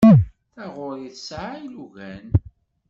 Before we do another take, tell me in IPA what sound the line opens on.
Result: θ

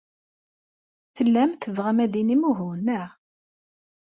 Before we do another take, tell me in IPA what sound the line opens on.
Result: θ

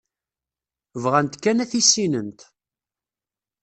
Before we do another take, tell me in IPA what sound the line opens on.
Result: v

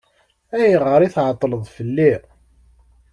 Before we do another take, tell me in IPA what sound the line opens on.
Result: æ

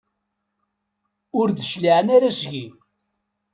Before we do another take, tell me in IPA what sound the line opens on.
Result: ʊ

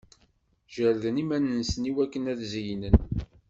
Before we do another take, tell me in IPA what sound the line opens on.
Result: ʒ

